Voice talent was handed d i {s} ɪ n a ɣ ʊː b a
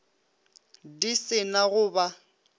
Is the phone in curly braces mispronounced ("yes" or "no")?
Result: no